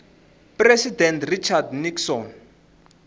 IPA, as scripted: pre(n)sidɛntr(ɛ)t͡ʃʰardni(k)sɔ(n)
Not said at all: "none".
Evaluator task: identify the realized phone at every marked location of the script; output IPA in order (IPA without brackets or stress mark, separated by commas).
none, i, k, n